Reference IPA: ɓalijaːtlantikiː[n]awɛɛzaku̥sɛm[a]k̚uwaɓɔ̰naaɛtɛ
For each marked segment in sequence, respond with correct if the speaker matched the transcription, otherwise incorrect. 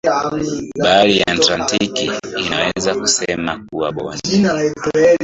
correct, correct

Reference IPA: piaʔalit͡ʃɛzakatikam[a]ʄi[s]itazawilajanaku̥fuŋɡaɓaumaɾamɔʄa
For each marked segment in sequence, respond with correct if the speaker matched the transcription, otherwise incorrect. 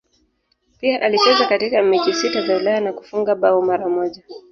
incorrect: i, correct

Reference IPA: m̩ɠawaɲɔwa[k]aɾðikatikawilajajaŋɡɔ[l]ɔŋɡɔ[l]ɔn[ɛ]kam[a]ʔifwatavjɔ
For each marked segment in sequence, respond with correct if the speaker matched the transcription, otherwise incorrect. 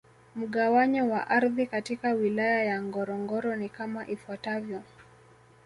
incorrect: ʔ, incorrect: ɾ, incorrect: ɾ, incorrect: i, correct

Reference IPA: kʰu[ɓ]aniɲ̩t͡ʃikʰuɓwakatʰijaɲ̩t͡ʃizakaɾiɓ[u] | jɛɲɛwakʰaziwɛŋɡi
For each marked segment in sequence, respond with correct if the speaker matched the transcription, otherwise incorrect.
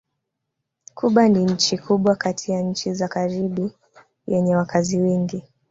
correct, correct

